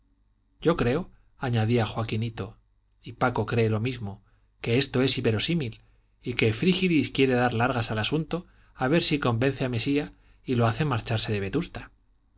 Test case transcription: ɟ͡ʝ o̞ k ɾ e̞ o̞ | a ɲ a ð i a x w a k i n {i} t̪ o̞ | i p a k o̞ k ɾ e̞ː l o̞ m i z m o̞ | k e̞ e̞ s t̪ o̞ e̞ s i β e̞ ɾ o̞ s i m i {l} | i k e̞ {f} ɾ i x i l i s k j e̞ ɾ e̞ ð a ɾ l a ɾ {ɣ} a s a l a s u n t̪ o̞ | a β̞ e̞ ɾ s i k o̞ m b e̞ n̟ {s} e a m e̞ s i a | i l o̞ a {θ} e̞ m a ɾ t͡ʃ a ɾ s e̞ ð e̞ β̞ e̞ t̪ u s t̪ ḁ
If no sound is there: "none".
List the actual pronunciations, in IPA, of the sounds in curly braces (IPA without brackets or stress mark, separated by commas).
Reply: i, l, f, ɣ, θ, θ